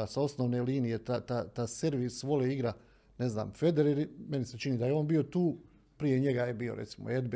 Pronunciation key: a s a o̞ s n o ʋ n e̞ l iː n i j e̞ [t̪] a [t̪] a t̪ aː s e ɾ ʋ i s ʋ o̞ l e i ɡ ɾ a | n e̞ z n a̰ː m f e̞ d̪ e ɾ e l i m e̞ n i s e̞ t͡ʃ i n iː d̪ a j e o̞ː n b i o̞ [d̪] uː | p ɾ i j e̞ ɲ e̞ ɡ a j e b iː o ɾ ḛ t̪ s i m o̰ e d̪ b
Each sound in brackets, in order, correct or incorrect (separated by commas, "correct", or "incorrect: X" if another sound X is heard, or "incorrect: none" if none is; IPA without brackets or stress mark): correct, correct, incorrect: t̪